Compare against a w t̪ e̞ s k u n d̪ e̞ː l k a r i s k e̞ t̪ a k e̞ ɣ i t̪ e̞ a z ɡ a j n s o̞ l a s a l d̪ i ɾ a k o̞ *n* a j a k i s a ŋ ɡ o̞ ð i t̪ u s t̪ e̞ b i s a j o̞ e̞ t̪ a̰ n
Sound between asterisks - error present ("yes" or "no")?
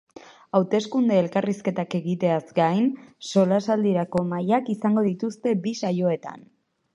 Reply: yes